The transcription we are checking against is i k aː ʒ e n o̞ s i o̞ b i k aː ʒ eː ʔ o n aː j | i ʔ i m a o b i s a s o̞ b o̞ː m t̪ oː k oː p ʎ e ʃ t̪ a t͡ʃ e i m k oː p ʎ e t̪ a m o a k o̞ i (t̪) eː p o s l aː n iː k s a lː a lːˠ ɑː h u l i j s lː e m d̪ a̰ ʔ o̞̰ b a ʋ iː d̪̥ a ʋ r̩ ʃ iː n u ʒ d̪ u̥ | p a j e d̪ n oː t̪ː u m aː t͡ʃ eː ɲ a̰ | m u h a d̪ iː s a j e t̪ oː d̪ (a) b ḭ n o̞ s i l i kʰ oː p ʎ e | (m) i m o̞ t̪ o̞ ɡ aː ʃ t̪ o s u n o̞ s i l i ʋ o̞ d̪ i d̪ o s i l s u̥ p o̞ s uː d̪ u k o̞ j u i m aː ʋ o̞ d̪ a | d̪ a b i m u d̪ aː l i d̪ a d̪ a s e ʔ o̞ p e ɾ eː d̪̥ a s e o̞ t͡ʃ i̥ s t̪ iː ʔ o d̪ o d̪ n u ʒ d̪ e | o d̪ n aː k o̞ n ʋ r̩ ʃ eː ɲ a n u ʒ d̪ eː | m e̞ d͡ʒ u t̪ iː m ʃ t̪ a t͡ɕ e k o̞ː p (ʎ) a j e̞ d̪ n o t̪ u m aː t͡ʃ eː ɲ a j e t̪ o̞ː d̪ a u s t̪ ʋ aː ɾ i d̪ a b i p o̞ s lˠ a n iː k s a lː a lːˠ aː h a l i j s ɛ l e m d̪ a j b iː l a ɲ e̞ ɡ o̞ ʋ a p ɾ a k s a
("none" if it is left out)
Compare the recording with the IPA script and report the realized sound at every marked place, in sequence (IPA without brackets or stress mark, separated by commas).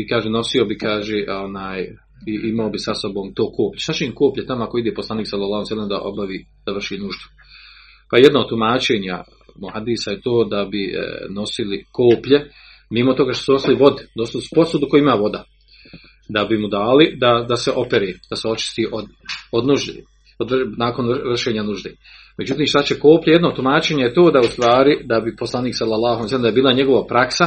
d̪, a, m, ʎ